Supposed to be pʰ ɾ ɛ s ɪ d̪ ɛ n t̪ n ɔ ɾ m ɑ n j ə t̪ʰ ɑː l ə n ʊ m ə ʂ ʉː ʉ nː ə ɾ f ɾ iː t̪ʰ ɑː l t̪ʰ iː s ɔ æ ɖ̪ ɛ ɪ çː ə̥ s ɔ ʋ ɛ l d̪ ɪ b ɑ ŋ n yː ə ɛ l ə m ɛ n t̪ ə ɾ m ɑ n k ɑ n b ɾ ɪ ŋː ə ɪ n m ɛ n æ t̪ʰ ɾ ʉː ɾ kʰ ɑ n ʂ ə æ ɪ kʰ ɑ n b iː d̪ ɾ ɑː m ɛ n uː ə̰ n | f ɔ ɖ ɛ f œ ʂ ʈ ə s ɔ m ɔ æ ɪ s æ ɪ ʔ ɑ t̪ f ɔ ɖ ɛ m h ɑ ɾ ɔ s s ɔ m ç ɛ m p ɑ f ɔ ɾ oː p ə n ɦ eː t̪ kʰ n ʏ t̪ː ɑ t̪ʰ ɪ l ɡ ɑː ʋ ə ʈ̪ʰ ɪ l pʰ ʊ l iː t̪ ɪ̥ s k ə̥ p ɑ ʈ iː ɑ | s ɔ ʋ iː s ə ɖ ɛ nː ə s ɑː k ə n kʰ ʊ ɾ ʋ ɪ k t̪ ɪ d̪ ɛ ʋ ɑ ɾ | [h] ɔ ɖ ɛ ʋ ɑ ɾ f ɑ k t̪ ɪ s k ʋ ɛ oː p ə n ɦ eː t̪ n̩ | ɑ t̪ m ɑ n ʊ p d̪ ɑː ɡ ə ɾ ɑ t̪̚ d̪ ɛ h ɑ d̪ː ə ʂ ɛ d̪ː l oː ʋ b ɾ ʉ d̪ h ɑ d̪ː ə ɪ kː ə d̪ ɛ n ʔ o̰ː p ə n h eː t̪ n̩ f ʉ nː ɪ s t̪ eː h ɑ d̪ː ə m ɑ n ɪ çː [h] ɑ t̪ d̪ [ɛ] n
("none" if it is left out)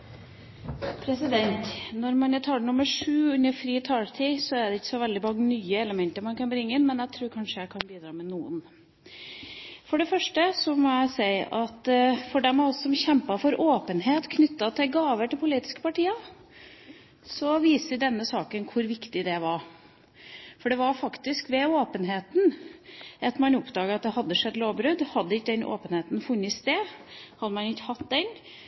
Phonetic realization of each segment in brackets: f, h, ɛ

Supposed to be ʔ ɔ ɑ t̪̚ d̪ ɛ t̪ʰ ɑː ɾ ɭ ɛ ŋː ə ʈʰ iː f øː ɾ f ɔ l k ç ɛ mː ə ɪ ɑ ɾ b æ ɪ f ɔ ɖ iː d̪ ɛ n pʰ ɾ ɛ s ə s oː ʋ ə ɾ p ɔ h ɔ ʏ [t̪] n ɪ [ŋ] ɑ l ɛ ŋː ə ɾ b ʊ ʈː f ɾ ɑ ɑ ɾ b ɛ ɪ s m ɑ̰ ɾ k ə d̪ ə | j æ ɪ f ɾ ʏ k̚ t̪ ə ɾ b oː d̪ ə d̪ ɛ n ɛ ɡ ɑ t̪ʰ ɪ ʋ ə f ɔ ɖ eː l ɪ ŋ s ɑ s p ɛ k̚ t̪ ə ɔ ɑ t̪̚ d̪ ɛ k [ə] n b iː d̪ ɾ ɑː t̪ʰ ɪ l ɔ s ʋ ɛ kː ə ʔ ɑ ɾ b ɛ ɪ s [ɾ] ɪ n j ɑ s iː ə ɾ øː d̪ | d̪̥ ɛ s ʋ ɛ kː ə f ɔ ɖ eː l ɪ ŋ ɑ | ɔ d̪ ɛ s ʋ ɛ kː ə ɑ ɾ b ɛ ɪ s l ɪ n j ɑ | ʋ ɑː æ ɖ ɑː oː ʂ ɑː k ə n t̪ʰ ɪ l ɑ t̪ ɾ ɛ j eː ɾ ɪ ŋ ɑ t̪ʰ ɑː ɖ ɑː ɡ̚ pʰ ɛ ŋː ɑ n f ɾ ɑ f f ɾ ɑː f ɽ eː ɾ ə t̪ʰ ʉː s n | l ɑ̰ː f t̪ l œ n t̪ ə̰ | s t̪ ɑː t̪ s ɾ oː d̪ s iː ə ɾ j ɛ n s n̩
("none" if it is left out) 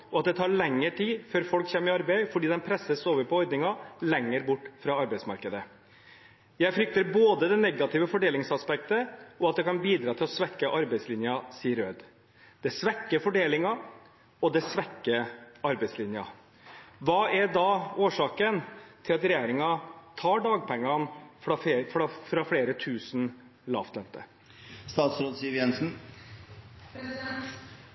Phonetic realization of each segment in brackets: d̪, ŋ, ɑ, l

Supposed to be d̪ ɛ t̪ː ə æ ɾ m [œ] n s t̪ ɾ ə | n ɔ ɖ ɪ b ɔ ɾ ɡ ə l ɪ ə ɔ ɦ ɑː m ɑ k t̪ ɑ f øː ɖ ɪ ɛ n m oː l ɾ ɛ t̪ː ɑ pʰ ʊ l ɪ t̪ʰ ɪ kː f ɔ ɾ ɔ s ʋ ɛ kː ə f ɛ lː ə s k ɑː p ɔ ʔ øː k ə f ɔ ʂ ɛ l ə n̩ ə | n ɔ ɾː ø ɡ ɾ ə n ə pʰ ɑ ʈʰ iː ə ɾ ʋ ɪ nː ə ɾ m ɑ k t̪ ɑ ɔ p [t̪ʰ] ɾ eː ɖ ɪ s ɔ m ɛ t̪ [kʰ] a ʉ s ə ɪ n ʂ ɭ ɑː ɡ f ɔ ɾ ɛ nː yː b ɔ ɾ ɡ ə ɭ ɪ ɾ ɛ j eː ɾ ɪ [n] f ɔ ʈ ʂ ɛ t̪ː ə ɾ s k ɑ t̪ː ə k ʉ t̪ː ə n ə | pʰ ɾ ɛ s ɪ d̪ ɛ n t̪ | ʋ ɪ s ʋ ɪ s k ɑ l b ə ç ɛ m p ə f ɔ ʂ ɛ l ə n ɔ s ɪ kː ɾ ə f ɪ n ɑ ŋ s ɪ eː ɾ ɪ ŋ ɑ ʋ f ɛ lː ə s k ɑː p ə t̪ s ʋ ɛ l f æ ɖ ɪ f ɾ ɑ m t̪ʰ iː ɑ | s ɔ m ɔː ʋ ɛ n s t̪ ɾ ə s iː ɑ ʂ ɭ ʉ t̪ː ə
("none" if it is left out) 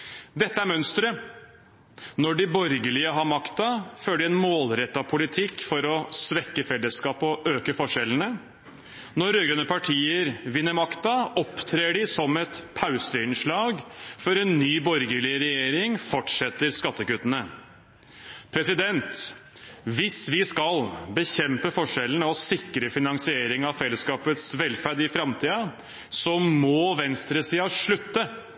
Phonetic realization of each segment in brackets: œ, t̪ʰ, pʰ, ŋ

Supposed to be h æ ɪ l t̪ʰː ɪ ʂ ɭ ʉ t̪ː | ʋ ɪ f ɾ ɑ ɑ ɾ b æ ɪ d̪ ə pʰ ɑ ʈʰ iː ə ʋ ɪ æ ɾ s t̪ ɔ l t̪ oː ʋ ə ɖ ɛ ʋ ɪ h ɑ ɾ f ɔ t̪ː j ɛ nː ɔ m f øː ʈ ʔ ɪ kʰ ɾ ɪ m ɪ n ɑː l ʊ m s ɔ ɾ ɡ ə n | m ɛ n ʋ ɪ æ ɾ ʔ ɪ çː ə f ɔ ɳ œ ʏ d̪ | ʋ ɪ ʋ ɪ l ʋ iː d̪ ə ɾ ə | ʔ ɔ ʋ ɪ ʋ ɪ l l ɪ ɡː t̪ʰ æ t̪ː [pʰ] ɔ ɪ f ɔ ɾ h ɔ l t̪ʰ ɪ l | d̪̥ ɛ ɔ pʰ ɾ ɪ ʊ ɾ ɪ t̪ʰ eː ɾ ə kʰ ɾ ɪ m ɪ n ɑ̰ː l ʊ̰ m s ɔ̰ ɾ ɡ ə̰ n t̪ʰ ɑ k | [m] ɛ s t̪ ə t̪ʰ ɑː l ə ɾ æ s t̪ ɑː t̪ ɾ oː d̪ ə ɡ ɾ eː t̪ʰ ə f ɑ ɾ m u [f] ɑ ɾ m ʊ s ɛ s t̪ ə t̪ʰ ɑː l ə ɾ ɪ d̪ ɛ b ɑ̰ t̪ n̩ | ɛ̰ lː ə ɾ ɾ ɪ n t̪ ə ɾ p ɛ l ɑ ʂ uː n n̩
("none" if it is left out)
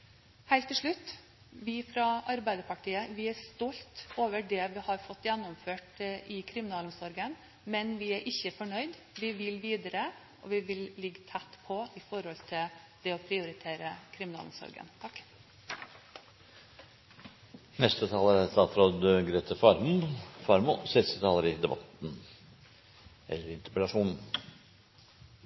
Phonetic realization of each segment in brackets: pʰ, n, f

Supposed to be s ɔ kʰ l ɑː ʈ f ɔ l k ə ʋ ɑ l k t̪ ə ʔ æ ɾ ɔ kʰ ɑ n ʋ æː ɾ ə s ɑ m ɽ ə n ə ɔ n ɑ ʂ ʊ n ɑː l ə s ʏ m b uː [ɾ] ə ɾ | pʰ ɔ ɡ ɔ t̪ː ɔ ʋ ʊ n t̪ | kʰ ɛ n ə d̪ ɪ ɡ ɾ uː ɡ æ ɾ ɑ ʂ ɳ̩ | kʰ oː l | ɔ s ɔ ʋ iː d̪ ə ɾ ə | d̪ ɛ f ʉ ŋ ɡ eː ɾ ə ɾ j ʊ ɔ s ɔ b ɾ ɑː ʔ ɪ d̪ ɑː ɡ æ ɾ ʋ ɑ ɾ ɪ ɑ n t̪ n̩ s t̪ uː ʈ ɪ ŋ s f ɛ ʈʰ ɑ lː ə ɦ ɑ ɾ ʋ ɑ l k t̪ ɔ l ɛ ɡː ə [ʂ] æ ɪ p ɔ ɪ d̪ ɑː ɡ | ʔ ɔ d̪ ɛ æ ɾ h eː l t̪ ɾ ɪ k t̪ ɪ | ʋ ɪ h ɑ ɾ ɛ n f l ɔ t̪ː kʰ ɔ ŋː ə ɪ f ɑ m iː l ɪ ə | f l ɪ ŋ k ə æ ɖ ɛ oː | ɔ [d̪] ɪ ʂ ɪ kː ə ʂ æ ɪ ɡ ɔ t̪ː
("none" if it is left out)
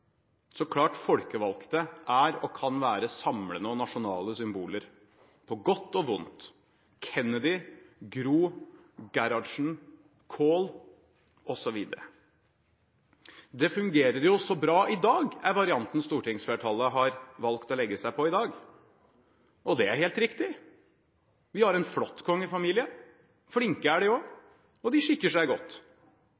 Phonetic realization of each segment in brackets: l, s, d̪

